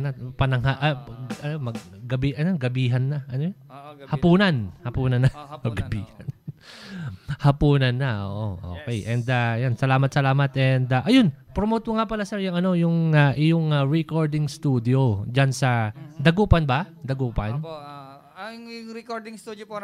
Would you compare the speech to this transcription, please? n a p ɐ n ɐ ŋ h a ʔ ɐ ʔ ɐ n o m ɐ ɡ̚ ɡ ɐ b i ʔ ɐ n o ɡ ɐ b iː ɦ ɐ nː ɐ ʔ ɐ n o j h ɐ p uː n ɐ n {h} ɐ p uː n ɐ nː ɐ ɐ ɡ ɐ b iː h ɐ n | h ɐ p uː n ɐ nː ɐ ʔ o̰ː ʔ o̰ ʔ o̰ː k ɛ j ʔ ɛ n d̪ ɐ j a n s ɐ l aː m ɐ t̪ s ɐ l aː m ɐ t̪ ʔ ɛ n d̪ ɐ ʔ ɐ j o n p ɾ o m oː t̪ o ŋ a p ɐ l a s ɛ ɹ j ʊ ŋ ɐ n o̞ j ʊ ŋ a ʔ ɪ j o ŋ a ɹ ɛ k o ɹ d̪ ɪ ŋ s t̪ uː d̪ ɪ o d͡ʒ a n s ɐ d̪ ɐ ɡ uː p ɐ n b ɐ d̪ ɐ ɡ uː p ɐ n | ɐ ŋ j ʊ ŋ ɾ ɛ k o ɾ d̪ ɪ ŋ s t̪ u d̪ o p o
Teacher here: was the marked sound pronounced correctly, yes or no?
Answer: yes